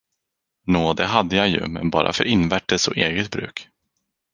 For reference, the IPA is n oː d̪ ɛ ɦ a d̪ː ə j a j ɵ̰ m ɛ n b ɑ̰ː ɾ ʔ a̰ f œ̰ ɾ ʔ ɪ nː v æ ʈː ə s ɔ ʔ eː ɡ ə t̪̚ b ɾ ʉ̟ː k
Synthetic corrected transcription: n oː d̪ ɛ ɦ a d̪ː ə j a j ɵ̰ m ɛ n b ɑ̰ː ɾ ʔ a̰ f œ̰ ɾ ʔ ɪ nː v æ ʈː ə s ɔ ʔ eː ɡ ə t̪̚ b ɾ ʉ̟ː k